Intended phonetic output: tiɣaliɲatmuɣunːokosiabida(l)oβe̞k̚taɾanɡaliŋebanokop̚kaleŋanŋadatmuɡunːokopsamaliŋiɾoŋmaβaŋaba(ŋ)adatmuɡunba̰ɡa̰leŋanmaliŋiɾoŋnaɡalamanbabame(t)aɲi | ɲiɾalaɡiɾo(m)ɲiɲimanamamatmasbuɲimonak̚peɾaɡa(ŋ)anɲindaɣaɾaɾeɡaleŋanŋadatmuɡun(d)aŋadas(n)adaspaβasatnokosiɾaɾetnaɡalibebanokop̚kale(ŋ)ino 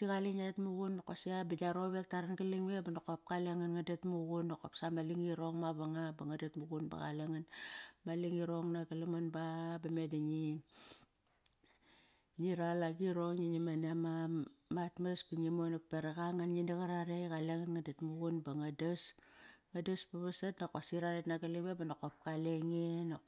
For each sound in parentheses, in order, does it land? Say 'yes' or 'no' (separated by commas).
no, yes, no, no, yes, no, no, yes